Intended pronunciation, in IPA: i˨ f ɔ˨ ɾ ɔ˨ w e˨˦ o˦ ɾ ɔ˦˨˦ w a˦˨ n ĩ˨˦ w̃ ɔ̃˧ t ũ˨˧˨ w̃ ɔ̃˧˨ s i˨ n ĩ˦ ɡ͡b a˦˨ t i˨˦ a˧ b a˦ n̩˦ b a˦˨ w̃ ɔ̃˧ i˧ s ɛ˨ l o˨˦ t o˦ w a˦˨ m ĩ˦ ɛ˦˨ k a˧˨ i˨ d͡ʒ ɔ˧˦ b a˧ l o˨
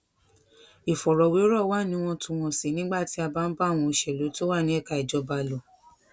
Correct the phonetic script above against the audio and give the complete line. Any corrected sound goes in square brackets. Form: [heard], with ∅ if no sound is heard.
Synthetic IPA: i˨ f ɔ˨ ɾ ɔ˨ w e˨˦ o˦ ɾ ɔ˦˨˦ w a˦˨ n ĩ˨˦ w̃ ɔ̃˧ t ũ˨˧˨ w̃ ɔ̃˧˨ s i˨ n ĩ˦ ɡ͡b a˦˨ t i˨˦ a˧ b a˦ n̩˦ b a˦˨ w̃ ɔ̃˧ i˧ [ʃ] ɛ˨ l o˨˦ t o˦ w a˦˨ [n] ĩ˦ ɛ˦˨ k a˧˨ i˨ d͡ʒ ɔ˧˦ b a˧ l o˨